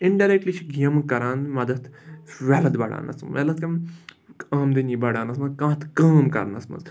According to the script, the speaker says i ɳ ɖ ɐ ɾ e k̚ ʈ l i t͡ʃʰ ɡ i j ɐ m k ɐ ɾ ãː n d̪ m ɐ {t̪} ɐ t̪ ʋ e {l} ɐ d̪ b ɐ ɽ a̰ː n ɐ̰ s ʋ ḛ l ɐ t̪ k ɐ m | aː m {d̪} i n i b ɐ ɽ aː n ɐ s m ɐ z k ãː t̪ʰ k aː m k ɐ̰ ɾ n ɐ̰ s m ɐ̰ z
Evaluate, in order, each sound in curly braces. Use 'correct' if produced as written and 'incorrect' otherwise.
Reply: incorrect, correct, correct

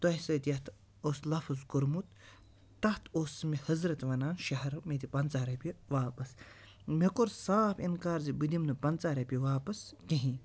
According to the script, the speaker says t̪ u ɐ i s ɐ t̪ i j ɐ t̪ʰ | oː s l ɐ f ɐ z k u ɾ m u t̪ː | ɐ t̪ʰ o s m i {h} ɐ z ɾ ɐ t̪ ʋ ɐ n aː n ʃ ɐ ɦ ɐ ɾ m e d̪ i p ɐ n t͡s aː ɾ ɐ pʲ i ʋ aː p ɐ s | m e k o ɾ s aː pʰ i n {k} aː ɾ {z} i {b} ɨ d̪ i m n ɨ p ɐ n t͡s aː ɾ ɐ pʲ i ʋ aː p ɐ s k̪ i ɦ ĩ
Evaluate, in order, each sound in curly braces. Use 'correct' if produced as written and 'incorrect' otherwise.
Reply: correct, correct, correct, correct

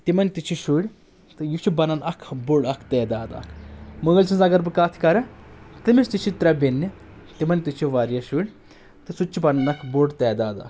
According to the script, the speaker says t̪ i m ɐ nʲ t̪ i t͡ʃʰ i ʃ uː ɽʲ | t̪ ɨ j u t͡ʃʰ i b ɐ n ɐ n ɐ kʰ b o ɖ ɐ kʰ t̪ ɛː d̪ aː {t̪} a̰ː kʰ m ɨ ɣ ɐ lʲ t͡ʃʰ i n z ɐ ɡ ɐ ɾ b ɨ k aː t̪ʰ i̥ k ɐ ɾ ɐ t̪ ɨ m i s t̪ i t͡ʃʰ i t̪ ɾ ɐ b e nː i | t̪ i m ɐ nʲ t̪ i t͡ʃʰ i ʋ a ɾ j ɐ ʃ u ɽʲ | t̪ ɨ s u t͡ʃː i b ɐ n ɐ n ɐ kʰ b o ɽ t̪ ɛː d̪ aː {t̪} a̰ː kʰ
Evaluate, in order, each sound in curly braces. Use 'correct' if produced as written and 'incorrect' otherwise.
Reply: incorrect, incorrect

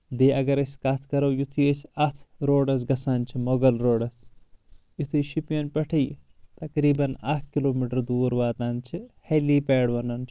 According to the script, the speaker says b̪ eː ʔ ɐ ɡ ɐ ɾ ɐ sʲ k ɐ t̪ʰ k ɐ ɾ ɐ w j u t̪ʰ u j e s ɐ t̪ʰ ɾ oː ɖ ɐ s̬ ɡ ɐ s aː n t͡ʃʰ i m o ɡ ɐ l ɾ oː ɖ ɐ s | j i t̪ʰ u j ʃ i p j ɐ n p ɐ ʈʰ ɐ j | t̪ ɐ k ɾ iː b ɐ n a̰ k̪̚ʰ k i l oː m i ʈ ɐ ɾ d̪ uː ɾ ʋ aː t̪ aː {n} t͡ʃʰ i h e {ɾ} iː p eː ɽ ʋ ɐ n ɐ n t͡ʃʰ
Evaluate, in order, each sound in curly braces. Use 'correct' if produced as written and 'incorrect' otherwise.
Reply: correct, incorrect

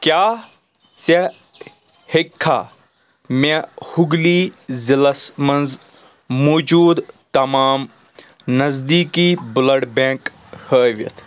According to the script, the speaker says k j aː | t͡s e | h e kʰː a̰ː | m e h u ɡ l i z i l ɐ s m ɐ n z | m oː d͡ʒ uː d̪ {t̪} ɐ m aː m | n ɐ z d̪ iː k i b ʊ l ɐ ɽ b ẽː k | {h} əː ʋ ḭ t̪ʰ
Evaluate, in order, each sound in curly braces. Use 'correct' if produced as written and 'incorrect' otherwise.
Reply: correct, correct

